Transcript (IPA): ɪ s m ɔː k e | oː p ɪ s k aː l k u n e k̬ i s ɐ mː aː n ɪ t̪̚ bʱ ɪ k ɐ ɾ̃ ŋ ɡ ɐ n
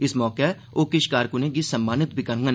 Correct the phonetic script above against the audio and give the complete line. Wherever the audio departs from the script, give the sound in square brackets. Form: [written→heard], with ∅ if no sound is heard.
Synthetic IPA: ɪ s m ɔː k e | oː [p→k] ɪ [s→ʃ] k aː [l→ɾ] k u n e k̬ i s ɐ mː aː n ɪ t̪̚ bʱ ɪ k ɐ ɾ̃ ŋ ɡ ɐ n